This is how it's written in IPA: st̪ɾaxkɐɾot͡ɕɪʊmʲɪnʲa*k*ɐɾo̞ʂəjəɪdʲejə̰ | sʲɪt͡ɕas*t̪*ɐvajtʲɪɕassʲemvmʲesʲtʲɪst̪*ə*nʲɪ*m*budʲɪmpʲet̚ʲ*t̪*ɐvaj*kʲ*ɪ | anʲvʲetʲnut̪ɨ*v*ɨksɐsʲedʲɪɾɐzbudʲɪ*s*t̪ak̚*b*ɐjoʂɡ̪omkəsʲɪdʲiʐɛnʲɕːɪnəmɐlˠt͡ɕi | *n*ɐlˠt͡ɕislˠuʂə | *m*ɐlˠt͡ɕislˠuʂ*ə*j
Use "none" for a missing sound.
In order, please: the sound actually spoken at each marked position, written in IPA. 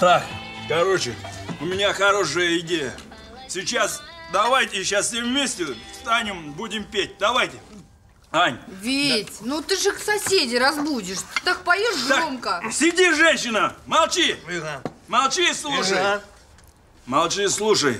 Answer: x, d̪, a, m, d̪, tʲ, ʐ, ʂ, p, m, m, ə

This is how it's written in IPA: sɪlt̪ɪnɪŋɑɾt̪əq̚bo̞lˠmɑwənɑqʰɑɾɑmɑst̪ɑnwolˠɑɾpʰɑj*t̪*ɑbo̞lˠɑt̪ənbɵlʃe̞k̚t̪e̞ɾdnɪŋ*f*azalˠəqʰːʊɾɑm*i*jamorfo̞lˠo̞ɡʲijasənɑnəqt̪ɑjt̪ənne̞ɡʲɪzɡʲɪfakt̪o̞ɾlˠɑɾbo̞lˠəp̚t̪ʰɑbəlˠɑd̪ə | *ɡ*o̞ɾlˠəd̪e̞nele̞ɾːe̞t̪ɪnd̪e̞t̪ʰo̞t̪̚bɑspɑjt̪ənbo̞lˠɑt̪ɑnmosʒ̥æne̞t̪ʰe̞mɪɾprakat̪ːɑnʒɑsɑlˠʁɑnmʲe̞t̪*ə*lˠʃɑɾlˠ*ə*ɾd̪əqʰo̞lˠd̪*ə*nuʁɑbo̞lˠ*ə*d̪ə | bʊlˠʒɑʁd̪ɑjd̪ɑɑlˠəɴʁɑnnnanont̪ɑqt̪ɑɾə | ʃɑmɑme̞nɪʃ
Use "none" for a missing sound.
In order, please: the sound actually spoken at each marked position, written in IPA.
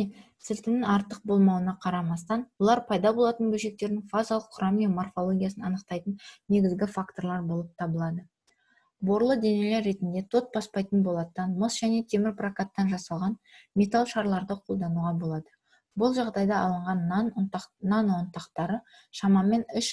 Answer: d̪, f, i, b, a, ɑ, ɑ, ɑ

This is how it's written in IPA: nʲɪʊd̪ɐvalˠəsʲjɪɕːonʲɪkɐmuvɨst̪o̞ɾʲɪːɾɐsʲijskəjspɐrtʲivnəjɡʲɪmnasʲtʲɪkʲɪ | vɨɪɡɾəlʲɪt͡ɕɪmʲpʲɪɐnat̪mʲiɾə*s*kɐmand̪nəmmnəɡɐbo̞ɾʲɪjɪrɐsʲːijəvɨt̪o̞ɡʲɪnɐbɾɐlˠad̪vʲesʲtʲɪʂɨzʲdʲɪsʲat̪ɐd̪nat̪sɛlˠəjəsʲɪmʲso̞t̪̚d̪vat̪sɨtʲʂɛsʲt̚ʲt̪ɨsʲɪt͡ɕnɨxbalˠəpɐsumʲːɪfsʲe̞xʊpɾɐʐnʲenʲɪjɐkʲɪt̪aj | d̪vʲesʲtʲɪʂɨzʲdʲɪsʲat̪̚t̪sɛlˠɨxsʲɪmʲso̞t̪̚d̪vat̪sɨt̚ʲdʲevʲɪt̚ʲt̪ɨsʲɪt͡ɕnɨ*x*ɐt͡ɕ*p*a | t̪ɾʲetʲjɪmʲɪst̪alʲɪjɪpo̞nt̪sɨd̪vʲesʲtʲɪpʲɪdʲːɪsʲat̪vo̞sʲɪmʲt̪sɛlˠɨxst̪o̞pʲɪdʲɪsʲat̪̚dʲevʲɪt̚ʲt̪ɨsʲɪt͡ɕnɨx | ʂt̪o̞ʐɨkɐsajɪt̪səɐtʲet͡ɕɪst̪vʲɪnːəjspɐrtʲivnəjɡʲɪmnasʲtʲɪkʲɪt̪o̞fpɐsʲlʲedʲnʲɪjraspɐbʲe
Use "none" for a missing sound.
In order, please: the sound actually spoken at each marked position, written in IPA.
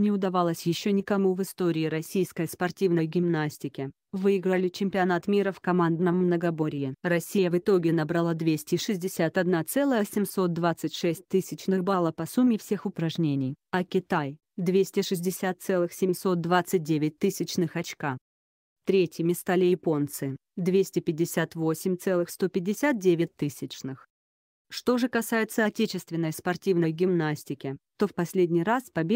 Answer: f, x, k

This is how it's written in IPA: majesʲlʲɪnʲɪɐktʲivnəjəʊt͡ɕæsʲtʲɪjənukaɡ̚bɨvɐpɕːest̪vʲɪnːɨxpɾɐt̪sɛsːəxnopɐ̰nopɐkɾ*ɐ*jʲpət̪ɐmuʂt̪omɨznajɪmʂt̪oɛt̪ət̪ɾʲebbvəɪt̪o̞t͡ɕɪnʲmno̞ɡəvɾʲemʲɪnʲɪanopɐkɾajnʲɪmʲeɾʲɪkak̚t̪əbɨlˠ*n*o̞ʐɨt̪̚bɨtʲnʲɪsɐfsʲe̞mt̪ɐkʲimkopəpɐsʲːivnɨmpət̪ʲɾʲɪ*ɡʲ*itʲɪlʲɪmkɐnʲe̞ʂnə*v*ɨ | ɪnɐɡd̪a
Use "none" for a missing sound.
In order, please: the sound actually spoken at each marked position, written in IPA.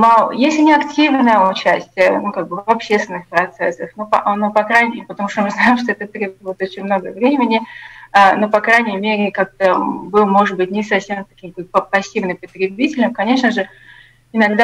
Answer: a, m, bʲ, ʐ

